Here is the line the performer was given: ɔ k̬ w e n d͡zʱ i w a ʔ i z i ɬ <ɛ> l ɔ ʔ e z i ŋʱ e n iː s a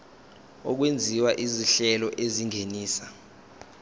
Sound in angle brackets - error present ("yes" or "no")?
no